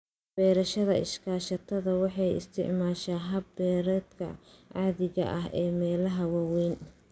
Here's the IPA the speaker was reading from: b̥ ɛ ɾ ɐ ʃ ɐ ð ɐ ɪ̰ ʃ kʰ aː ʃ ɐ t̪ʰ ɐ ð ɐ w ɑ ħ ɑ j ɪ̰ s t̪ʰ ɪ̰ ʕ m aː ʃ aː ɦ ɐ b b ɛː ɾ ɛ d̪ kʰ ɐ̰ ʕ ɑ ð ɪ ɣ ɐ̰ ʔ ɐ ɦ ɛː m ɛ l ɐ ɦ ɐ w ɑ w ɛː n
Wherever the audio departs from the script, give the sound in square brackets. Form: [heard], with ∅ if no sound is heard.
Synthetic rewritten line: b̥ [ɛː] ɾ ɐ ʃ ɐ ð ɐ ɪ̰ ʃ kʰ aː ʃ ɐ t̪ʰ ɐ ð ɐ w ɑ ħ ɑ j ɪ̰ s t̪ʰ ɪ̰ ʕ m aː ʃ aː ɦ ɐ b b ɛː ɾ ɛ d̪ kʰ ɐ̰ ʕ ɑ ð ɪ ɣ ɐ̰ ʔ ɐ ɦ ɛː m [ɛː] l ɐ ɦ ɐ w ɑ w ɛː n